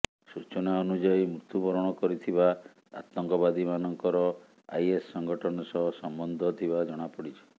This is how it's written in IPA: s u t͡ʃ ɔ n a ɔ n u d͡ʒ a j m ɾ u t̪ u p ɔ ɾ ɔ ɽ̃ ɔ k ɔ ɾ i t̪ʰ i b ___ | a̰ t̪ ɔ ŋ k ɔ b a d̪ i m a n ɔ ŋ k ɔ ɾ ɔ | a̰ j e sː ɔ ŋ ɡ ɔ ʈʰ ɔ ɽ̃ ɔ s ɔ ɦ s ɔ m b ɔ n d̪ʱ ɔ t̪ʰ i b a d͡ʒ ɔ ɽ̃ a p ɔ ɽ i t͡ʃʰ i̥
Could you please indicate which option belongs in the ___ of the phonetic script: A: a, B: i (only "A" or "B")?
A